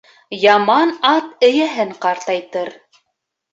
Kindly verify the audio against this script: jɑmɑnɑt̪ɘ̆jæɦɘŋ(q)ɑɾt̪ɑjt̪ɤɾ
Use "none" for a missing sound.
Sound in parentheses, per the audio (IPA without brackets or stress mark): q